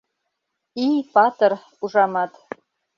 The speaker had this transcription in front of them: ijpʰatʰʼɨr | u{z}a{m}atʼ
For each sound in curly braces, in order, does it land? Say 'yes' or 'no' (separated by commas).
no, yes